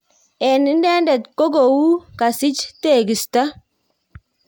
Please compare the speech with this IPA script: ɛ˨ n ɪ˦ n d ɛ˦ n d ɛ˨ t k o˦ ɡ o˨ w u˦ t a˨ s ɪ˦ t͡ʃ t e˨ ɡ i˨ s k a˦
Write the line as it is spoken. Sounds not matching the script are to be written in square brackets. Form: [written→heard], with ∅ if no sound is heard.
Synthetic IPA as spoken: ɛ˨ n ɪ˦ n d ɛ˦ n d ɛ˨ t k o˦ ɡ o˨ w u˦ [t→k] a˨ s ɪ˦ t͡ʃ t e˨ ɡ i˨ s [k→t] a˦